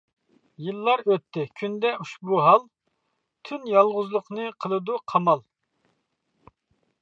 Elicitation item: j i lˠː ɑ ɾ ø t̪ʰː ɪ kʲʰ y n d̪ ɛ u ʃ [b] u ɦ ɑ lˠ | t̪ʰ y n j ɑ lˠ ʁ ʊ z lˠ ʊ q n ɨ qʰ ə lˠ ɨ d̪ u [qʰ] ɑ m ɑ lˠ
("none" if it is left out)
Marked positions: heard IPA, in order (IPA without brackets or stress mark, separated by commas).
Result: b, qʰ